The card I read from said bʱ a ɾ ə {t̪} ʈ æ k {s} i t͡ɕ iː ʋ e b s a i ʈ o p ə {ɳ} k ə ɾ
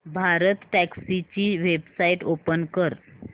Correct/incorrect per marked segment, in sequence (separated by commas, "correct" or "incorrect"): correct, correct, incorrect